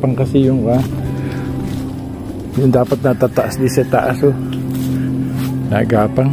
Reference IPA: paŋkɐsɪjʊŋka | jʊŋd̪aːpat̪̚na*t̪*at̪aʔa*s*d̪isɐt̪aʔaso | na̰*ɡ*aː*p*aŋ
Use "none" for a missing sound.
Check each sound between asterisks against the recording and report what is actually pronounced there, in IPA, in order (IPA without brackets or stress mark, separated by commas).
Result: t̪, s, ɡ, p